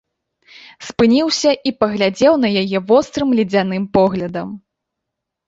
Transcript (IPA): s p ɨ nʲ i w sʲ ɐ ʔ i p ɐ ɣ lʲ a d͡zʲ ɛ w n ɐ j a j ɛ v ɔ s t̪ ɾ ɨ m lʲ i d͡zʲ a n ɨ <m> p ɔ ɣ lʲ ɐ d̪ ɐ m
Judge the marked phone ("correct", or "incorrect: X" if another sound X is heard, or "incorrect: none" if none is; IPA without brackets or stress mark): correct